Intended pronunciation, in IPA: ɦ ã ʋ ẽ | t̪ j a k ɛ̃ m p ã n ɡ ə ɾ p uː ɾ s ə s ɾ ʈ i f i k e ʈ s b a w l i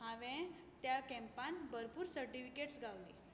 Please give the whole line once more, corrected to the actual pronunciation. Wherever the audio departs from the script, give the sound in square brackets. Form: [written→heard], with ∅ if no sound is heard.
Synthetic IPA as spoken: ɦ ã ʋ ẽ | t̪ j a k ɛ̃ m p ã n [ɡ→b] ə ɾ p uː ɾ s ə [s→∅] ɾ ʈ i f i k e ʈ s [b→ɡ] a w l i